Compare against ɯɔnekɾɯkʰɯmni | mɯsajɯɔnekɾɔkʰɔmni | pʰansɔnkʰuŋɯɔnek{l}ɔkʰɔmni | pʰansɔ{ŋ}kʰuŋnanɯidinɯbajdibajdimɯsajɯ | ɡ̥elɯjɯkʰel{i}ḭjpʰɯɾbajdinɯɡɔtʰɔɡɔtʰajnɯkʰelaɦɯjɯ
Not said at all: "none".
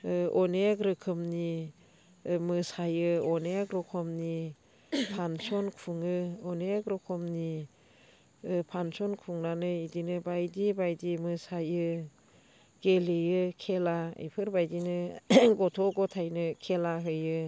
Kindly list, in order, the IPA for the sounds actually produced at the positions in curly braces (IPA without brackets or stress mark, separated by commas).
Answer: ɾ, n, a